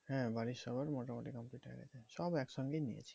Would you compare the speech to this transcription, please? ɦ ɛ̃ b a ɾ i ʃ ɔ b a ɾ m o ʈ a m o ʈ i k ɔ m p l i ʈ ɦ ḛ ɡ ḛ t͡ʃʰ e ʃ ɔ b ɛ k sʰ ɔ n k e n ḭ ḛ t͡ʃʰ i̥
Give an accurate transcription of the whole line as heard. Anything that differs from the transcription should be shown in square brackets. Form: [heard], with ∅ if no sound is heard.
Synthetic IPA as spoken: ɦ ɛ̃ b a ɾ i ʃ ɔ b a ɾ m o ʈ a m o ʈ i k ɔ m p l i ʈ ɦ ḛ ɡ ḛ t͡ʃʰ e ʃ ɔ b ɛ k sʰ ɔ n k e n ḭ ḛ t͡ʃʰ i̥